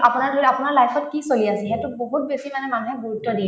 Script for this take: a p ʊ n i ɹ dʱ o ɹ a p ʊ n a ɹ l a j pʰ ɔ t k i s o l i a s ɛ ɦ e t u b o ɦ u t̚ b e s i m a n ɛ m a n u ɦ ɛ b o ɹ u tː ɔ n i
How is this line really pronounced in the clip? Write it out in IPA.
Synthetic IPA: a p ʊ n a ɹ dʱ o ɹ a p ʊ n a ɹ l a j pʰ ɔ t k i s o l i a s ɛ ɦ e t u b o ɦ u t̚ b e s i m a n ɛ m a n u ɦ ɛ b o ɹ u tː ɔ d i